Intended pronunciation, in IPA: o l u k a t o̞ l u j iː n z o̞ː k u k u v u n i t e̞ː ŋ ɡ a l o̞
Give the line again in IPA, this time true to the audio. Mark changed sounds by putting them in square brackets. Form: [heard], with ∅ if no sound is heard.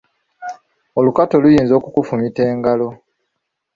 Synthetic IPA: o l u k a t o̞ l u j iː n z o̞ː k u k u [f] u [m] i t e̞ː ŋ ɡ a l o̞